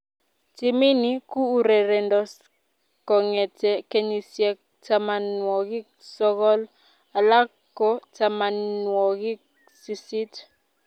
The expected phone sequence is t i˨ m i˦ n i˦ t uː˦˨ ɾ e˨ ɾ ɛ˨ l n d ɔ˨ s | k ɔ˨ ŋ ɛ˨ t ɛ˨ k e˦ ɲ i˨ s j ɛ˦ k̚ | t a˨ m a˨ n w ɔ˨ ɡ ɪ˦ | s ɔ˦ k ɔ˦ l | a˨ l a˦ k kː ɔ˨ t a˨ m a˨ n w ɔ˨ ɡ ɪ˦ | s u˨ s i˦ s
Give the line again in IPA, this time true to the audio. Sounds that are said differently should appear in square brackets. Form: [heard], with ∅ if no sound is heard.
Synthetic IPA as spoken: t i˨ m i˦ n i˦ [k] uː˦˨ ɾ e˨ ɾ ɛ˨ [∅] n d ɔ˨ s | k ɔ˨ ŋ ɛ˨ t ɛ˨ k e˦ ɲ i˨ s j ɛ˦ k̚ | t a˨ m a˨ n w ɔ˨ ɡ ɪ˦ | s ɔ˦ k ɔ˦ l | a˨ l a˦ k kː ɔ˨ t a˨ m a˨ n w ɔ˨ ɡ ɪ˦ | s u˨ s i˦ [t]